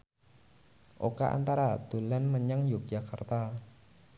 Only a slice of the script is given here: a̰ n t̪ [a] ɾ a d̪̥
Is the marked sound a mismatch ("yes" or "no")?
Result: no